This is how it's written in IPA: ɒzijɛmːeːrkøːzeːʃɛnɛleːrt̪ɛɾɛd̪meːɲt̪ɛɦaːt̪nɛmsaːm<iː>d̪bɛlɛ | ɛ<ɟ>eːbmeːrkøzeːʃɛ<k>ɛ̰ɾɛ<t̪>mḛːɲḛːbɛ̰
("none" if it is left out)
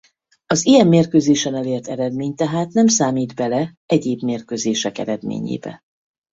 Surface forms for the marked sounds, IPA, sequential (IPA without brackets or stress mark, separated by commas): iː, ɟ, k, d̪